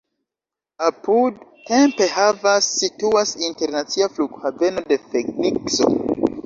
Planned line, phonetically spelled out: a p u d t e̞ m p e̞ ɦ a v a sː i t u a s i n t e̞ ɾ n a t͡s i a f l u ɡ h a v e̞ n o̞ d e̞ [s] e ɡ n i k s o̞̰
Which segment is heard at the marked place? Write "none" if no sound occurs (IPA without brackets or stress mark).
f